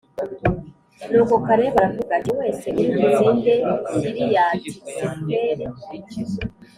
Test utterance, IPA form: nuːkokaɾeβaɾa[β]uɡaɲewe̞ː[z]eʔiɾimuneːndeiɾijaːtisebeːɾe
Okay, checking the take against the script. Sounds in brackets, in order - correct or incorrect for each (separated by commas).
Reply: incorrect, incorrect